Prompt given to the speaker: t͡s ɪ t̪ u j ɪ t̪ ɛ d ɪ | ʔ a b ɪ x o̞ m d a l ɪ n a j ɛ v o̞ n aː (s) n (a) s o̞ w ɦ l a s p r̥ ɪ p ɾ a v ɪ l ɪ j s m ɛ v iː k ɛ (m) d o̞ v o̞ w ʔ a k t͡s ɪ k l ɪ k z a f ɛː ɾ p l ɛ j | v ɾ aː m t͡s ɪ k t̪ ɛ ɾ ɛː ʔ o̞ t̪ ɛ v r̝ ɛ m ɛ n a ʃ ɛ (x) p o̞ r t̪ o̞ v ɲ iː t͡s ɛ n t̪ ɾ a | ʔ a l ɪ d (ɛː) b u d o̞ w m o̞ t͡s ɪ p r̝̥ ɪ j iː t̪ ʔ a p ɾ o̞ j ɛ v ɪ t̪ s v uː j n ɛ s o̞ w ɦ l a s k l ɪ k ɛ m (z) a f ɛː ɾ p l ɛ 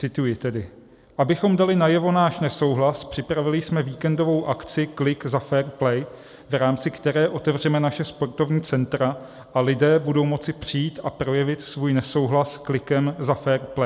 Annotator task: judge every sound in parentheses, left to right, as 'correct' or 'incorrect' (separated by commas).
incorrect, incorrect, incorrect, incorrect, correct, correct